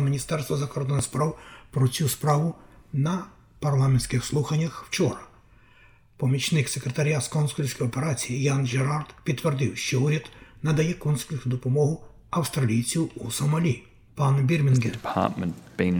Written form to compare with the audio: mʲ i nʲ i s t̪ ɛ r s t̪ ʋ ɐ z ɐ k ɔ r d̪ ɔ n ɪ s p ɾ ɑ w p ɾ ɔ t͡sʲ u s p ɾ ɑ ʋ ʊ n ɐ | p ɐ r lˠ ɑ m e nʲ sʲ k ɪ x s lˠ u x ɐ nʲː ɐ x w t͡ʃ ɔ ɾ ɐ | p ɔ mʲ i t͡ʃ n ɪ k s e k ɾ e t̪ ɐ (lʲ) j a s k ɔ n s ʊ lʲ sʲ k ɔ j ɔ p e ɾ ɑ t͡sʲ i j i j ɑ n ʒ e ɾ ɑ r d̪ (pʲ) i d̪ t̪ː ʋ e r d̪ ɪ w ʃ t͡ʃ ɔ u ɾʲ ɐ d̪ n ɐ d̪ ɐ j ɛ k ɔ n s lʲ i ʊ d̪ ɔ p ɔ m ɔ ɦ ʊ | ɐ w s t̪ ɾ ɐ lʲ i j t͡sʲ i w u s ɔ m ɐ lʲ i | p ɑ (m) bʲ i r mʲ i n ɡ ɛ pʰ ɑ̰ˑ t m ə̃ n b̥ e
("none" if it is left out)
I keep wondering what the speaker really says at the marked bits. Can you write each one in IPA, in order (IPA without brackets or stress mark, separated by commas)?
ɾʲ, pʲ, n